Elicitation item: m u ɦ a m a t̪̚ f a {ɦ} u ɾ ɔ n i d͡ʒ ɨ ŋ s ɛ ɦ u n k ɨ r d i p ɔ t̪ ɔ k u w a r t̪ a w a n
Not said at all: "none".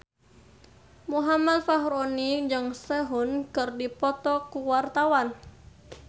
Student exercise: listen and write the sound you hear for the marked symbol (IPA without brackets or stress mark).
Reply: ɦ